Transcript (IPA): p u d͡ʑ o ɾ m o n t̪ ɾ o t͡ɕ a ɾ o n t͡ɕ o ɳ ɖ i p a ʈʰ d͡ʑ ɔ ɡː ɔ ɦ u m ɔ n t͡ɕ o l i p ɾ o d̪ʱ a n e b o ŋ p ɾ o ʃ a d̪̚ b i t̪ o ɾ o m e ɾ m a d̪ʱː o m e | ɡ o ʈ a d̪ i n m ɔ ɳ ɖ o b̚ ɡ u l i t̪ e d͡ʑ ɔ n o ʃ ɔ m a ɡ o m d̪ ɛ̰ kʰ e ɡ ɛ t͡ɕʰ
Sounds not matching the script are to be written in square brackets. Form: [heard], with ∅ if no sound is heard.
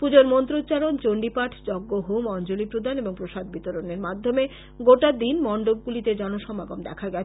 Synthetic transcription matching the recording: p u d͡ʑ o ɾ m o n t̪ ɾ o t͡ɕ a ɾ o n t͡ɕ o ɳ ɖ i p a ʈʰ d͡ʑ ɔ ɡː [o] ɦ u m ɔ n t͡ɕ o l i p ɾ o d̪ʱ a n e b o ŋ p ɾ o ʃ a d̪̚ b i t̪ o ɾ o [n] e ɾ m a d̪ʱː o m e | ɡ o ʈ a d̪ i n m ɔ ɳ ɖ o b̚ ɡ u l i t̪ e d͡ʑ ɔ n o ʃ ɔ m a ɡ o m d̪ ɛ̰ kʰ [a] ɡ ɛ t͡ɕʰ